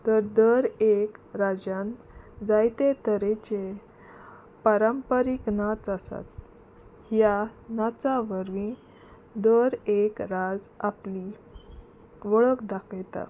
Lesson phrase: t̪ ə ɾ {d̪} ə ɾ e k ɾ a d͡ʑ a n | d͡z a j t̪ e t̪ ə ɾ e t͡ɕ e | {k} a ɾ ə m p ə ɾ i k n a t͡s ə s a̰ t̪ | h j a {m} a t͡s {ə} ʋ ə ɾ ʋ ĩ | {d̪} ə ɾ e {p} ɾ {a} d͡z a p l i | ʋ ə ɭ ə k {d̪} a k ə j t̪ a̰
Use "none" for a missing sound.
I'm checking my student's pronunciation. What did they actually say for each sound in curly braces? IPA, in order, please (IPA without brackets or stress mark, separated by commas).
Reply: d̪, p, n, a, d̪, k, a, d̪